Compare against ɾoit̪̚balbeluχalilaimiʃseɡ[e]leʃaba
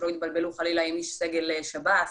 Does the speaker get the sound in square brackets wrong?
no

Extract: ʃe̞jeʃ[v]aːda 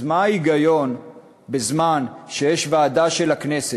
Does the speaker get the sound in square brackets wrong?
no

